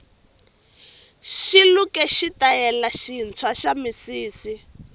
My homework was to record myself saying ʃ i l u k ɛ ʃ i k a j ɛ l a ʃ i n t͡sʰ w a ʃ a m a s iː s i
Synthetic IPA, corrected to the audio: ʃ i l u k ɛ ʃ i t a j ɛ l a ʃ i n t͡sʰ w a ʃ a m i s iː s i

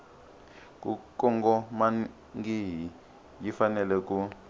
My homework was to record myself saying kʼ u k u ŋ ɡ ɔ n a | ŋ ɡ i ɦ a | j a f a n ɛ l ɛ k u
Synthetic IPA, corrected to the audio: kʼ u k ɔ ŋ ɡ ɔ m a | ŋ ɡ i ɦ i | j i f a n ɛ l ɛ k u

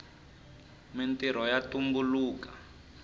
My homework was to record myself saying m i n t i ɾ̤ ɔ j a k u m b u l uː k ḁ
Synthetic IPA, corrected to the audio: m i n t i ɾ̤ ɔ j a t u m b u l uː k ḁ

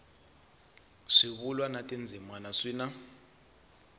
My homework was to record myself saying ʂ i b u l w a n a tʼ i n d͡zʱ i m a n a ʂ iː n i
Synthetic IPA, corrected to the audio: ʂ i β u l w a n a tʼ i n d͡zʱ i m a n a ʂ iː n a

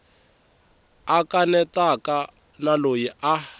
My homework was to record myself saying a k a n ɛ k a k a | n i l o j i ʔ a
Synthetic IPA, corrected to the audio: a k a n ɛ t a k a | n a l o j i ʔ a

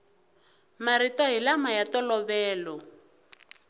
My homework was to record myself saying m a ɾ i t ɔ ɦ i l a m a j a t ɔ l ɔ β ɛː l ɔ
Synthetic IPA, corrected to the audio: m a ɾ i t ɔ ɦ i l a m a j a t ɔ l ɔ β ɛː l ɔ

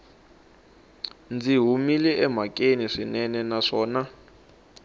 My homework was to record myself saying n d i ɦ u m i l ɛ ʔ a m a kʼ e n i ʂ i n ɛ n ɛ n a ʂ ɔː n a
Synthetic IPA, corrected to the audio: n d͡z i ɦ u m i l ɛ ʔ ɛ m a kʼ e n i ʂ i n ɛ n ɛ n a ʂ ɔː n a

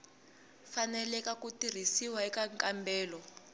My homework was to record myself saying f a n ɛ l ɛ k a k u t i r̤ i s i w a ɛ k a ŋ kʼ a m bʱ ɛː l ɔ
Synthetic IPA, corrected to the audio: f a n ɛ l ɛ k a k u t i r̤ i s i w a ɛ k a ŋ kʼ a m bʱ ɛː l ɔ

